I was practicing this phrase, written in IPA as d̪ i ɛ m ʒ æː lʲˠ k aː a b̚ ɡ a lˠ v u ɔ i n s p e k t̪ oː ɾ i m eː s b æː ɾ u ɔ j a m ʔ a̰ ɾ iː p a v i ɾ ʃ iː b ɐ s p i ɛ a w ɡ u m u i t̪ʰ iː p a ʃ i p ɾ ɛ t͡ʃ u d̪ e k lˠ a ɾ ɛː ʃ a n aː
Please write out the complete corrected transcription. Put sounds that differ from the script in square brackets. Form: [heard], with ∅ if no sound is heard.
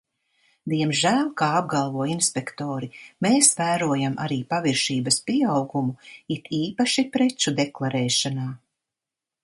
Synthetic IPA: d̪ i ɛ m ʒ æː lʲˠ k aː a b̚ ɡ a lˠ v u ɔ i n s p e k t̪ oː ɾ i m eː s [v] æː ɾ u ɔ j a m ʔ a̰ ɾ iː p a v i ɾ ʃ iː b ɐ s p i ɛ a w ɡ u m u i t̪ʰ iː p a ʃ i p ɾ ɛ t͡ʃ u d̪ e k lˠ a ɾ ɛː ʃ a n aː